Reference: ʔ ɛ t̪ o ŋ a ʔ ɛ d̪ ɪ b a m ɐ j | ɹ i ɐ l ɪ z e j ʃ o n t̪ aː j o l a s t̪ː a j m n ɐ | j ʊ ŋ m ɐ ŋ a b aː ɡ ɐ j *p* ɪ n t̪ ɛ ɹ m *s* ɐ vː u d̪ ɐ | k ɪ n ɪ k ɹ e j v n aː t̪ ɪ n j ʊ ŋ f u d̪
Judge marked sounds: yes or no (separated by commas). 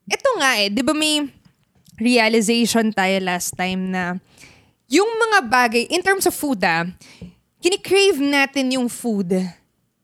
no, yes